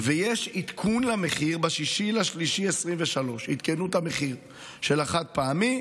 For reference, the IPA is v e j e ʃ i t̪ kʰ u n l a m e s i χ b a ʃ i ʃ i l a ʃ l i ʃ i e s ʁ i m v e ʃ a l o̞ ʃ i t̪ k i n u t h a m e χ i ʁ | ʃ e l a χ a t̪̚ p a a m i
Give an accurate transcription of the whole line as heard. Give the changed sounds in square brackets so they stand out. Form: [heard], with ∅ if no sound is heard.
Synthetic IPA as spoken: v e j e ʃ i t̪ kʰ u n l a m e [χ] i [ʁ] b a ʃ i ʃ i l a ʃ l i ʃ i e s ʁ i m v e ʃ a l o̞ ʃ i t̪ k [e] n u t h a m e χ i ʁ | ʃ e l a χ a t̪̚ p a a m i